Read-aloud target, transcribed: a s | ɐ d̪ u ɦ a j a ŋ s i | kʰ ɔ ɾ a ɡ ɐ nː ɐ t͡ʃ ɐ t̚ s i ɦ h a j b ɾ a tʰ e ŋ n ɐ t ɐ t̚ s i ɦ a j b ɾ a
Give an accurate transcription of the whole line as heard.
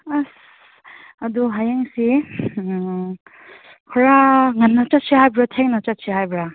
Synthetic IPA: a s | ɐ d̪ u ɦ a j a ŋ s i | kʰ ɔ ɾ a ŋ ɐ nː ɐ t͡ʃ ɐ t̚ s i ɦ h a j b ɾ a tʰ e ŋ n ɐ t͡ʃ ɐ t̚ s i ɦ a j b ɾ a

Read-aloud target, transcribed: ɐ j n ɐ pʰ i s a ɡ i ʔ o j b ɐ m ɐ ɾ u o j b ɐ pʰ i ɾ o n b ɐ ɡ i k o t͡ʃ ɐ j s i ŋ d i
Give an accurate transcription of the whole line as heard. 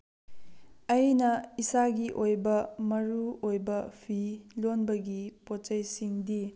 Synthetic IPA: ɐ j n ɐ i s a ɡ i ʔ o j b ɐ m ɐ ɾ u o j b ɐ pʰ i l o n b ɐ ɡ i p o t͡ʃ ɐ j s i ŋ d i

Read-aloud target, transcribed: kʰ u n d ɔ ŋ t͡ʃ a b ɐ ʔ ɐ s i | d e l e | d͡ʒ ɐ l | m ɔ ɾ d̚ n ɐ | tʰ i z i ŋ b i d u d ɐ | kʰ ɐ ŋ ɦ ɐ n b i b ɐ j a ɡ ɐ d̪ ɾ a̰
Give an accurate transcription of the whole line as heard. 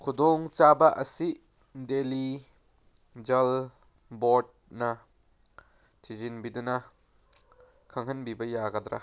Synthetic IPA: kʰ u d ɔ ŋ t͡ʃ a b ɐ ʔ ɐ s i | d e l i | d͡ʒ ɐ l | b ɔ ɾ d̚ n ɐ | tʰ i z i n b i d u n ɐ | kʰ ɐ ŋ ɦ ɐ n b i b ɐ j a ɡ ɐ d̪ ɾ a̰

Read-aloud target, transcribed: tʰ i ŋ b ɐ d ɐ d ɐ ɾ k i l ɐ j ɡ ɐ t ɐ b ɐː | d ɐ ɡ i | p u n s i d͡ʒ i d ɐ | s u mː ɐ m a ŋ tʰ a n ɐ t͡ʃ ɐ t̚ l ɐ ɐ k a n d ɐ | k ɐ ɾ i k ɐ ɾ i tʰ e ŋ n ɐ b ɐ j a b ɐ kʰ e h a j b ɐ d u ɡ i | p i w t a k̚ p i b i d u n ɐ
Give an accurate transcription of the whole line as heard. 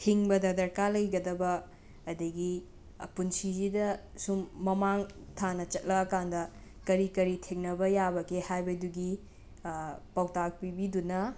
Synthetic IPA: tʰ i ŋ b ɐ d ɐ d ɐ ɾ k a l ɐ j ɡ ɐ d ɐ b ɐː | d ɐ ɡ i | p u n s i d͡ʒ i d ɐ | s u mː ɐ m a ŋ tʰ a n ɐ t͡ʃ ɐ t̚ l ɐ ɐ k a n d ɐ | k ɐ ɾ i k ɐ ɾ i tʰ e ŋ n ɐ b ɐ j a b ɐ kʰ e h a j b ɐ d u ɡ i | p a w t a k̚ p i b i d u n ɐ

